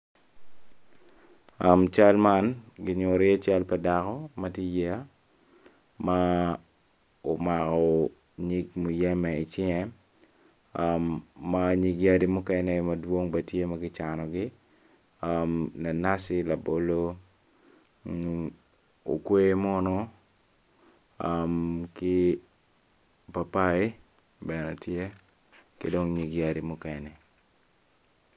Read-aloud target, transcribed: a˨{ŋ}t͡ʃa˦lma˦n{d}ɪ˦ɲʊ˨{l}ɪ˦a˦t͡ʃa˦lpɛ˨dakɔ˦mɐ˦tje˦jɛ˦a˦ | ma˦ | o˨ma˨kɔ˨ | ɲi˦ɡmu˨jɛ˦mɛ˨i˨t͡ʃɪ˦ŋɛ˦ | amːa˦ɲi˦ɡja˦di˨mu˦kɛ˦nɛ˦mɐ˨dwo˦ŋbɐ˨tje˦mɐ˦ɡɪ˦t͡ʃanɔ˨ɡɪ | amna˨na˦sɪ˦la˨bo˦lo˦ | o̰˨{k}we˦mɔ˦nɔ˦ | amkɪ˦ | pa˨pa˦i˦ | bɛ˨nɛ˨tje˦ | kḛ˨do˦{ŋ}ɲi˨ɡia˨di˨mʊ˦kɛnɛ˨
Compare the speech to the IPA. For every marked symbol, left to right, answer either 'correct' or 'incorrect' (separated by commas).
incorrect, incorrect, incorrect, correct, correct